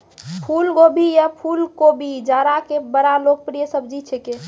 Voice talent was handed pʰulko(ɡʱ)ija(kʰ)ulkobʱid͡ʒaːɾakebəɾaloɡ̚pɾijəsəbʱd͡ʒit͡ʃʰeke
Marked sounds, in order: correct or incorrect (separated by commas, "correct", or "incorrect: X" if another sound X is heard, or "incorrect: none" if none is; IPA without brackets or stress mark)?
incorrect: bʱ, incorrect: pʰ